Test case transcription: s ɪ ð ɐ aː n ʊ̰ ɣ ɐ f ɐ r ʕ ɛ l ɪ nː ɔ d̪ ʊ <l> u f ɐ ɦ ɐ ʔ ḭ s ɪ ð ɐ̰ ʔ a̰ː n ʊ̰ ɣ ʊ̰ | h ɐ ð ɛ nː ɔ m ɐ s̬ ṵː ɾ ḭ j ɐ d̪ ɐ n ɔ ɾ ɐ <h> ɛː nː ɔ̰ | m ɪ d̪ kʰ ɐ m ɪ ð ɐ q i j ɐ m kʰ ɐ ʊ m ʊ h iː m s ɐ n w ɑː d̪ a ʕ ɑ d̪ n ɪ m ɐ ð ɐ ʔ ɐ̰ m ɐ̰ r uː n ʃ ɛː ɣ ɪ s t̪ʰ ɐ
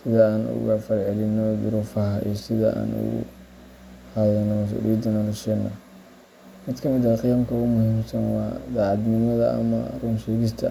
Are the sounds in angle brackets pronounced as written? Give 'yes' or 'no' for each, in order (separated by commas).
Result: no, no